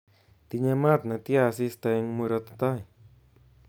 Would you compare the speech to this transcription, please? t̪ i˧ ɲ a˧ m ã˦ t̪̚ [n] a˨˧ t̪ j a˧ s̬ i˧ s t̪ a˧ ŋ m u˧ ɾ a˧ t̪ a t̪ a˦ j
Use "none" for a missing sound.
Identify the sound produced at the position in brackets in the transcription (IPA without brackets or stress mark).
n